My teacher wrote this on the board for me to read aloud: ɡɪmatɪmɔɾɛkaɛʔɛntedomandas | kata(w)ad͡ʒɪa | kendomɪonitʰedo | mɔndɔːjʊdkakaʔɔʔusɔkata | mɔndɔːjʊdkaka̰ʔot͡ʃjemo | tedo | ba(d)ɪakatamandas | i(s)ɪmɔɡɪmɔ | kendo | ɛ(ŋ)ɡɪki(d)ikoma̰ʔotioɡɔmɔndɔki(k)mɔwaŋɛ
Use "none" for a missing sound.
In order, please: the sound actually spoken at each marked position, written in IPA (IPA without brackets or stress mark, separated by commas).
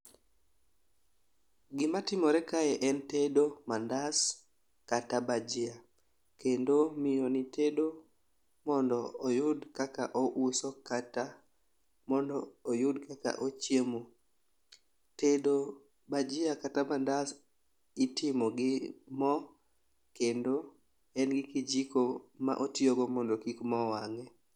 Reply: b, d͡ʒ, t, n, d͡ʒ, k